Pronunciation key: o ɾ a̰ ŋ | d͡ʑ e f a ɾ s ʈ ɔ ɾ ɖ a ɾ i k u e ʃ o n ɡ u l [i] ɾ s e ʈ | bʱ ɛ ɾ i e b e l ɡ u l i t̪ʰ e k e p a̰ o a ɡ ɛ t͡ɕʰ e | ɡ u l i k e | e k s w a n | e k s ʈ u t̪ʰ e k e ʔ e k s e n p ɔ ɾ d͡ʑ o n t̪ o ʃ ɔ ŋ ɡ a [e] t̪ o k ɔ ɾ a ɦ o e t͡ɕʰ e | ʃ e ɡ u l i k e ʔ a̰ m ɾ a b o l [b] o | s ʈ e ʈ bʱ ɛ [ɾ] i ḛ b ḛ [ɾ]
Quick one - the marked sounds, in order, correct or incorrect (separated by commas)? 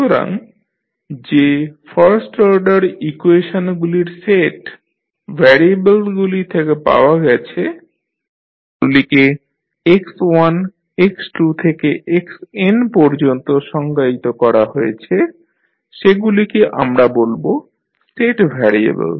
correct, incorrect, correct, correct, incorrect